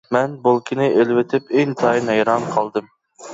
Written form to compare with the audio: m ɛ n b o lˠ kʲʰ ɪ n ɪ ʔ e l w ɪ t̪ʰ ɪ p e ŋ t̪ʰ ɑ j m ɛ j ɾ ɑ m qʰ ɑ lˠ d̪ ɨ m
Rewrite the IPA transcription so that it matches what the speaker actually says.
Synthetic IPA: m ɛ n b o lˠ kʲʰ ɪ n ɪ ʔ e l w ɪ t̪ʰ ɪ p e ŋ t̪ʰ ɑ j n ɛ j ɾ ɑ m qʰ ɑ lˠ d̪ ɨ m

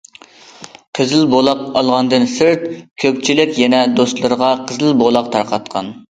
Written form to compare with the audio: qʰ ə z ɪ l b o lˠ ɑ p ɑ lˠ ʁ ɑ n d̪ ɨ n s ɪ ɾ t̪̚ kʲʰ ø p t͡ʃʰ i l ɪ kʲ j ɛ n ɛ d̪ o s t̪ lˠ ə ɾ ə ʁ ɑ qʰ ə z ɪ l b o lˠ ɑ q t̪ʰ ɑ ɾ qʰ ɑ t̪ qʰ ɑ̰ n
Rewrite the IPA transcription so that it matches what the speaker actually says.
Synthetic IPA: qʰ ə z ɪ l b o lˠ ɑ q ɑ lˠ ʁ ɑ n d̪ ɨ n s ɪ ɾ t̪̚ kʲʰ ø p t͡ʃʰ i l ɪ kʲ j ɛ n ɛ d̪ o s t̪ lˠ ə ɾ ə ʁ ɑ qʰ ə z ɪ l b o lˠ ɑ q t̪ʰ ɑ ɾ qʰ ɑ t̪ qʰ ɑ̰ n

